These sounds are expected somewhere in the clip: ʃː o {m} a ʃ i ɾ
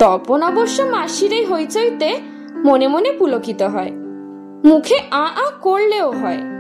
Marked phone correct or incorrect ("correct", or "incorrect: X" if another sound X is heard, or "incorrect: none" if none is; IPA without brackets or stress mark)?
correct